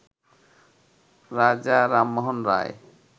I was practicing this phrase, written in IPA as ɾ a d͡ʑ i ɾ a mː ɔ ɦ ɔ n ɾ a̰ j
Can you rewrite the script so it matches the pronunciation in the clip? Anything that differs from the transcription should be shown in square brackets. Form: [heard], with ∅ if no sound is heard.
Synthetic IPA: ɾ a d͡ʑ [a] ɾ a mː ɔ ɦ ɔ n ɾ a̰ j

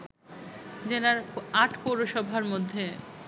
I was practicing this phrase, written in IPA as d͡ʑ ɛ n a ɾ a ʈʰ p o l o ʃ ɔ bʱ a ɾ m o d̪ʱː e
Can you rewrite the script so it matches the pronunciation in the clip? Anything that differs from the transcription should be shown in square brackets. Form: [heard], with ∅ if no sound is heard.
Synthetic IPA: d͡ʑ [e] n a ɾ a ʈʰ p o [ɾ] o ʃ ɔ bʱ a ɾ m o d̪ʱː e

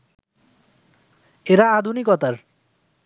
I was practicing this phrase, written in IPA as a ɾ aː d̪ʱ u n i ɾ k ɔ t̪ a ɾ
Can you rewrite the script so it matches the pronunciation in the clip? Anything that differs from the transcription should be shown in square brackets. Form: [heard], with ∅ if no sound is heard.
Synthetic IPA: [e] ɾ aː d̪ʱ u n i [∅] k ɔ t̪ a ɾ

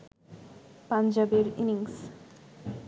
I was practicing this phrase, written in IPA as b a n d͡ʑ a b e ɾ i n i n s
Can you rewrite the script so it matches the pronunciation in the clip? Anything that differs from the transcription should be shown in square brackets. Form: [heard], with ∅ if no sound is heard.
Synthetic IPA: [p] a n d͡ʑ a b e ɾ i n i [ŋ] s

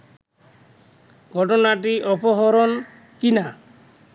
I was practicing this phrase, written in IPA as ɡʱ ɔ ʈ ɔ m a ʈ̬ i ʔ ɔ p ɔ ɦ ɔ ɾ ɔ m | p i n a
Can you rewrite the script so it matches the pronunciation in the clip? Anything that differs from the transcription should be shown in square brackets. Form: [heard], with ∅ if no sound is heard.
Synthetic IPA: ɡʱ ɔ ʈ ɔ [n] a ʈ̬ i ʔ ɔ p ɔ ɦ ɔ ɾ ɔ [n] | [k] i n a

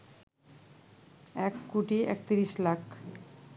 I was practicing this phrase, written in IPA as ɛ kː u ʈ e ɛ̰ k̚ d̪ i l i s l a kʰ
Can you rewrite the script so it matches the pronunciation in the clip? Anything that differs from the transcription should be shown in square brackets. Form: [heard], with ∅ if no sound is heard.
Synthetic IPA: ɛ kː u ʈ [i] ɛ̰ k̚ [t̪] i [ɾ] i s l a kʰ

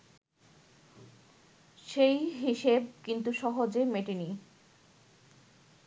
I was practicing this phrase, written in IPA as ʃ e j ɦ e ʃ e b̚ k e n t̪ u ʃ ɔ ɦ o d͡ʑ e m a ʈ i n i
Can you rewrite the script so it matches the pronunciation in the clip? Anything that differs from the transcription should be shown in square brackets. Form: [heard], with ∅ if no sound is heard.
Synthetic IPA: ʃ e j ɦ [i] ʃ e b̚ k [i] n t̪ u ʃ ɔ ɦ o d͡ʑ e m [e] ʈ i n i

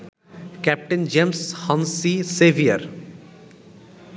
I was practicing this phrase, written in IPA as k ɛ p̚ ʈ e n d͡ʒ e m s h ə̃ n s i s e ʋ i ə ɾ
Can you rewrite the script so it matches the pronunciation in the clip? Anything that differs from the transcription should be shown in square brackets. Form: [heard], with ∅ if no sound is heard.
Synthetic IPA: k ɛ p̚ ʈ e n d͡ʒ e m s h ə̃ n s i s e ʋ i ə ɾ

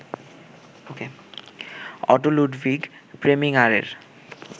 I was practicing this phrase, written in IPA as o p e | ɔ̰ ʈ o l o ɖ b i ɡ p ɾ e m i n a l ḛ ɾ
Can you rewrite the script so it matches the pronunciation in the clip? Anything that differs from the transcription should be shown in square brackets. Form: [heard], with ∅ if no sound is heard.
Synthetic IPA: o [k] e | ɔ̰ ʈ o l [u] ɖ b i ɡ p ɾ e m i [ŋ] a [ɾ] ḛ ɾ

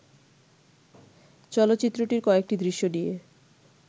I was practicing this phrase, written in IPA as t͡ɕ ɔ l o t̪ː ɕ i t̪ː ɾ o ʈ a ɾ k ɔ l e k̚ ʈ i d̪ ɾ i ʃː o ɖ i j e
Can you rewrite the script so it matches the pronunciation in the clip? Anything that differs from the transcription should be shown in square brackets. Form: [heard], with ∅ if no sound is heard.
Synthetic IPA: t͡ɕ ɔ l o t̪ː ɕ i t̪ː ɾ o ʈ [i] ɾ k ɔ [∅] e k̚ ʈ i d̪ ɾ i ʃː o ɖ i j e

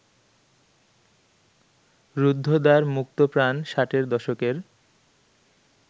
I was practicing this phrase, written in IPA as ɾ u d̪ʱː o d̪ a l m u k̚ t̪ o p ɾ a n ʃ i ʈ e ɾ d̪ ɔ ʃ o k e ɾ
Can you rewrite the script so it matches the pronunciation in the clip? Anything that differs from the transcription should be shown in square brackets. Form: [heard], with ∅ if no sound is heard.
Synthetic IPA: ɾ u d̪ʱː o d̪ a [ɾ] m u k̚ t̪ o p ɾ a n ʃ [a] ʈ e ɾ d̪ ɔ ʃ o k e ɾ

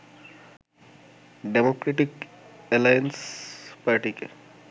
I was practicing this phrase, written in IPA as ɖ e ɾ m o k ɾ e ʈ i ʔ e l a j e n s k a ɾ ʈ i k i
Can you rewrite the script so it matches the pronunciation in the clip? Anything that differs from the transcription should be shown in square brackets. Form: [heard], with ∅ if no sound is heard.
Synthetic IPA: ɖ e [∅] m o k ɾ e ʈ i [k] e l a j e n s [p] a ɾ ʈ i k [e]

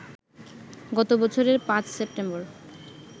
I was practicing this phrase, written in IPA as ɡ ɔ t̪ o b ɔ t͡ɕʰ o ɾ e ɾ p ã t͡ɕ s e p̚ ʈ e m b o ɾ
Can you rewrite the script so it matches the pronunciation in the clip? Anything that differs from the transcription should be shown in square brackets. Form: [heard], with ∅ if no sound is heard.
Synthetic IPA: ɡ ɔ t̪ o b ɔ t͡ɕʰ o ɾ e ɾ p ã t͡ɕ s e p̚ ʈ e m b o ɾ

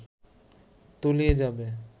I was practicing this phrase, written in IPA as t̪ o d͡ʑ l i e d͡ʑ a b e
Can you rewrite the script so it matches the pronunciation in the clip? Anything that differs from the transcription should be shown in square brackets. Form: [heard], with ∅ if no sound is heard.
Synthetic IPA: t̪ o [∅] l i e d͡ʑ a b e

